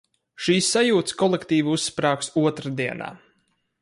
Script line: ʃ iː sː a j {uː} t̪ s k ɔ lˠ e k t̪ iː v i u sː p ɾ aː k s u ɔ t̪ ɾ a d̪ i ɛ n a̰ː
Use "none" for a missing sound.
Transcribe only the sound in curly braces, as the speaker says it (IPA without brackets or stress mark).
uː